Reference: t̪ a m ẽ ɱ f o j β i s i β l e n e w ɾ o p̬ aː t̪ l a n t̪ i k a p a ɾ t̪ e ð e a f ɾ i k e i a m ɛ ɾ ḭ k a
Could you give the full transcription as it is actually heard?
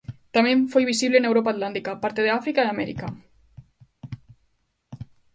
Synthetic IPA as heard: t̪ a m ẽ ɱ f o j β i s i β l e n e w ɾ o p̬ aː t̪ l a n t̪ i k a p a ɾ t̪ e ð e a f ɾ i k a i a m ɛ ɾ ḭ k a